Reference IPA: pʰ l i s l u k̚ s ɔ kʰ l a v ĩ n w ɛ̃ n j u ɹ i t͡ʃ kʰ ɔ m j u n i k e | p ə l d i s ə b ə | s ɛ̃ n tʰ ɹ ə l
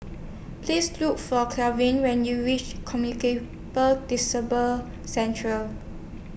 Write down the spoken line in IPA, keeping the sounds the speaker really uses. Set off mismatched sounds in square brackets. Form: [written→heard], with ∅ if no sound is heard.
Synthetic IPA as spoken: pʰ l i s l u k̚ [s→f] ɔ kʰ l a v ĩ n w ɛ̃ n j u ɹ i t͡ʃ kʰ ɔ m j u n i k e | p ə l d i s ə b ə | s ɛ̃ n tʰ ɹ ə l